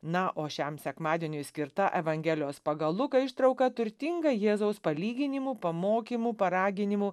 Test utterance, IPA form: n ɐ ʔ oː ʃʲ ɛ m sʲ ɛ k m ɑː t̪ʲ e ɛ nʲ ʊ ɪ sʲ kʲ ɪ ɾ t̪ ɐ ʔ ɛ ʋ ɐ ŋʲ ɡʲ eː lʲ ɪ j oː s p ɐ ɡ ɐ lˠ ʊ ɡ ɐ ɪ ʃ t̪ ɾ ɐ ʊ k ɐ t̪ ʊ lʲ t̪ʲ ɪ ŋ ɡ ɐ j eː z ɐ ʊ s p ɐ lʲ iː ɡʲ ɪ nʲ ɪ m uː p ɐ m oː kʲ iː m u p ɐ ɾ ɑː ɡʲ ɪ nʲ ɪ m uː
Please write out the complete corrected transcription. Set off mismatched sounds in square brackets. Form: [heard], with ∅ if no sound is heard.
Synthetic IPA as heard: n ɐ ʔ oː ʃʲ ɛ m sʲ ɛ k m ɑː [d̪ʲ] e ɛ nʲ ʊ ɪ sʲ kʲ ɪ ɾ t̪ ɐ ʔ ɛ ʋ ɐ ŋʲ ɡʲ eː lʲ ɪ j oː s p ɐ ɡ ɐ lˠ ʊ [k] ɐ ɪ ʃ t̪ ɾ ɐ ʊ k ɐ t̪ ʊ [ɾʲ] t̪ʲ ɪ ŋ ɡ ɐ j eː z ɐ ʊ s p ɐ lʲ iː ɡʲ ɪ nʲ ɪ m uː p ɐ m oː kʲ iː m u p ɐ ɾ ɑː ɡʲ ɪ nʲ ɪ m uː